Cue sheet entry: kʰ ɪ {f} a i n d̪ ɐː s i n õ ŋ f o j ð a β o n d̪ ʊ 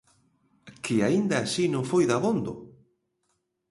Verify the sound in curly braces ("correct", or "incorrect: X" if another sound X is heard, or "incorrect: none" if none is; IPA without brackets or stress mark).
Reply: incorrect: none